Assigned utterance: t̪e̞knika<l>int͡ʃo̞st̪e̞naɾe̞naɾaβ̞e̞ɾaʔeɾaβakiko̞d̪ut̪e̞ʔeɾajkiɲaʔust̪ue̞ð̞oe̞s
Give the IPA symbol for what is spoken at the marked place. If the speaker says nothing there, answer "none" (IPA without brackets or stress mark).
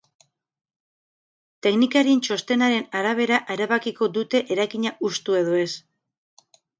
ɾ